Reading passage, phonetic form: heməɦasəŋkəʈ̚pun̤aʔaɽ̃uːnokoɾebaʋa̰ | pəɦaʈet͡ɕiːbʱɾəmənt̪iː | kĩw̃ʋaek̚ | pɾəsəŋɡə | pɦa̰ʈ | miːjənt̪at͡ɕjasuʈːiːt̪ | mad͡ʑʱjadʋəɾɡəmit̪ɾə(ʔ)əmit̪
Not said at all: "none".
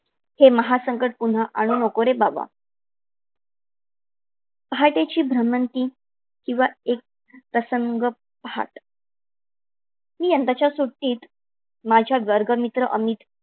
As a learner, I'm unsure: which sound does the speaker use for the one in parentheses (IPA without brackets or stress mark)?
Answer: ʔ